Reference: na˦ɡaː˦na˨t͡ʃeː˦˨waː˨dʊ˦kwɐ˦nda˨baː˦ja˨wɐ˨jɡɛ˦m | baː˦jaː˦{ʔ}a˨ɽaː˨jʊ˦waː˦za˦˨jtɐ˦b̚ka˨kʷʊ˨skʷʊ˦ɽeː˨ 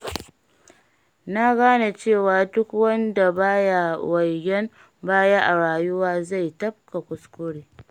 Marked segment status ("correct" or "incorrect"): correct